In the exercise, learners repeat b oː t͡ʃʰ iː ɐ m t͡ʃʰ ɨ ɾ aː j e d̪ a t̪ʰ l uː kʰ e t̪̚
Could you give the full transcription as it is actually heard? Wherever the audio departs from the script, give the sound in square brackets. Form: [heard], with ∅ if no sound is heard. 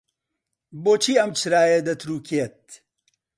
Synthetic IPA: b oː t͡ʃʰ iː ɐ m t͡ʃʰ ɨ ɾ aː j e d̪ [ɐ] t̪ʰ [ɾ] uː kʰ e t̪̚

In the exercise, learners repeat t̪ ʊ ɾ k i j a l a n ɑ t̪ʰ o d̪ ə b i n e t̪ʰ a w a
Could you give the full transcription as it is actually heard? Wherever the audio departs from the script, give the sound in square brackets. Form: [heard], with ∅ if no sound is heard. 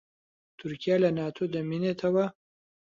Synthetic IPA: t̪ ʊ ɾ k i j a l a n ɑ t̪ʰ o d̪ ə [m] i n e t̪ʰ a w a

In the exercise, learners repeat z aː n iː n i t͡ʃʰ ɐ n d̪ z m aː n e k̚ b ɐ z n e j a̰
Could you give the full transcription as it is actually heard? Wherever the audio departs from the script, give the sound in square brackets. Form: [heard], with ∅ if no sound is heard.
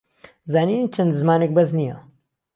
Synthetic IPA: z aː n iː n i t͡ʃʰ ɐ n d̪ z m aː n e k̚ b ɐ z n [i] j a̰

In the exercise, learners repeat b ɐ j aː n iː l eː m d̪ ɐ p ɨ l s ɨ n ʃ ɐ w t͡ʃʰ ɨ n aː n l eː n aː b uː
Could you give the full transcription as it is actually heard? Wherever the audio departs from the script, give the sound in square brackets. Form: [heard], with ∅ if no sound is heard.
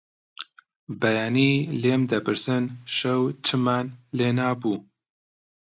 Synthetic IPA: b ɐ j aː n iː l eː m d̪ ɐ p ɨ [ɾ] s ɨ n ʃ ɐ w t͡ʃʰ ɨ [m] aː n l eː n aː b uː

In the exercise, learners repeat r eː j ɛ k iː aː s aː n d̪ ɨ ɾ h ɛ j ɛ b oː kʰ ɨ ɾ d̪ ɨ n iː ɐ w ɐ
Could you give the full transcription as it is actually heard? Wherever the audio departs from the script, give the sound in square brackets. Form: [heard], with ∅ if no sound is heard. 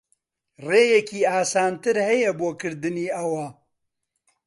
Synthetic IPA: r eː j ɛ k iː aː s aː n [t̪] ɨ ɾ h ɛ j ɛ b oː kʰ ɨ ɾ d̪ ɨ n iː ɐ w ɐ

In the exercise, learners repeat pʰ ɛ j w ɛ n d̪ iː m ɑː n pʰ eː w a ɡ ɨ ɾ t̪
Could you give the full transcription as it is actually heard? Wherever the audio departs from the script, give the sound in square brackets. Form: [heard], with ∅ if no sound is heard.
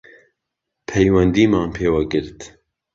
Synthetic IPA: pʰ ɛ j w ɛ n d̪ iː m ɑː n pʰ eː w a ɡ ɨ ɾ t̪

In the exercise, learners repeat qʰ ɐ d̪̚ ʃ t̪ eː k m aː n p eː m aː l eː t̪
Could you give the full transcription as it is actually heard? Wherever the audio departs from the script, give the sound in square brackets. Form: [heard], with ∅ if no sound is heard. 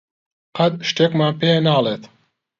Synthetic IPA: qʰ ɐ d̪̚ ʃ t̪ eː k m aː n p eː [n] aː l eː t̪

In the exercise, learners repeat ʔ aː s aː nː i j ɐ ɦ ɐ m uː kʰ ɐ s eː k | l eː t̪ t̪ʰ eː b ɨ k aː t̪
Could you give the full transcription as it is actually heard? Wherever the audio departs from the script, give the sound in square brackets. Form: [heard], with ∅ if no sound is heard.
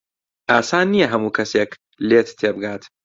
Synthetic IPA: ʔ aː s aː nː i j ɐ ɦ ɐ m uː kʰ ɐ s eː k | l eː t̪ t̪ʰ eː b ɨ [ɡ] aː t̪

